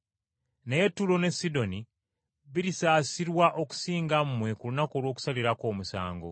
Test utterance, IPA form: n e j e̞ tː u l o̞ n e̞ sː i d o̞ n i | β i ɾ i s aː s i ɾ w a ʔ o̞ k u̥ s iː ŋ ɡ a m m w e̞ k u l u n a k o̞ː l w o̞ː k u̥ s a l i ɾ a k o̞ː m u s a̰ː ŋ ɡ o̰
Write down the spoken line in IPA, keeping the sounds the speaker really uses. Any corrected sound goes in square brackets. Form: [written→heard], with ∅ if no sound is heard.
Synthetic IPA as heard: n e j e̞ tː u l o̞ n e̞ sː i d o̞ n i | β i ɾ i s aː s i ɾ w a ʔ o̞ k u̥ s iː ŋ ɡ a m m w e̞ k u l u n a k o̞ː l w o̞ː k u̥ s a l i ɾ a k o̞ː m u s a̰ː ŋ ɡ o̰